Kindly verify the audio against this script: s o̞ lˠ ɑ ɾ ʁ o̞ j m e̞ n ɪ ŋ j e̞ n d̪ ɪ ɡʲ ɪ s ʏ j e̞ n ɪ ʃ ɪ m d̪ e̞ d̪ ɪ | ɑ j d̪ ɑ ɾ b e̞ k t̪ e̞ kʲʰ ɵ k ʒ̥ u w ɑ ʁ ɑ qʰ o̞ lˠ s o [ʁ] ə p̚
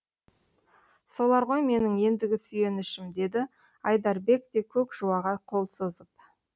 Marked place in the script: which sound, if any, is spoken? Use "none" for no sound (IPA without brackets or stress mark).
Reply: z